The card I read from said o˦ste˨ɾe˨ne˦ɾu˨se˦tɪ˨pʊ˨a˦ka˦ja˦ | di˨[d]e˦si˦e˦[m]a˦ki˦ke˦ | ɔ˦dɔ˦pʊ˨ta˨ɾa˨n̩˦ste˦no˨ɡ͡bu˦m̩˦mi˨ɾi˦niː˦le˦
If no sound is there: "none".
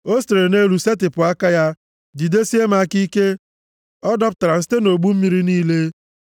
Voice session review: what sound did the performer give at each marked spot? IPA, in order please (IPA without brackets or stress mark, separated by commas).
d, m